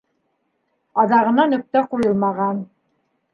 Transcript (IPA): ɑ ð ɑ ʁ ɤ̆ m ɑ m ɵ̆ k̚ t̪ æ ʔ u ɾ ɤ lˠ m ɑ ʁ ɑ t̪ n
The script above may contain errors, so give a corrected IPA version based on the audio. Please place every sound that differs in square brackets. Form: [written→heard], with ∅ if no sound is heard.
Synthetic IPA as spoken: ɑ ð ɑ ʁ ɤ̆ [m→n] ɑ [m→n] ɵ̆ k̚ t̪ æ [ʔ→q] u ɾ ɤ lˠ m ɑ ʁ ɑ [t̪→∅] n